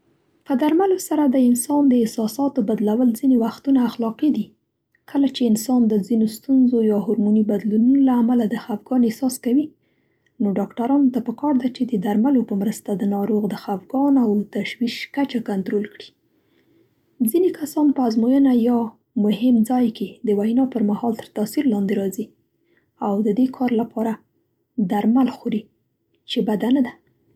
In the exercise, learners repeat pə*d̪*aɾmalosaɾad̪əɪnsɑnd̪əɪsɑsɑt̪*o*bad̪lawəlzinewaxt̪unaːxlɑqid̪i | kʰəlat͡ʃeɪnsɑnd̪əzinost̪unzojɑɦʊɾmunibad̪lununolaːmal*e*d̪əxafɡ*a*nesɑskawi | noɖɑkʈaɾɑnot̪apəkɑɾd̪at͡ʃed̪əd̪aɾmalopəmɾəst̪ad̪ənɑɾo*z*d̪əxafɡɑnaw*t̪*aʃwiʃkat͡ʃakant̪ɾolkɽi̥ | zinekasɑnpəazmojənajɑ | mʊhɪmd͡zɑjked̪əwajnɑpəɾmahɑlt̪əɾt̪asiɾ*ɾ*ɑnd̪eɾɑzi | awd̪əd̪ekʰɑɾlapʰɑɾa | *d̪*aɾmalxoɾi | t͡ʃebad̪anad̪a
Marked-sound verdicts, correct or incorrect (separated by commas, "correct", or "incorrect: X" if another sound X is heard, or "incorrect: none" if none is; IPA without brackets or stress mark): correct, correct, incorrect: a, incorrect: ɑ, incorrect: ɣ, correct, incorrect: l, correct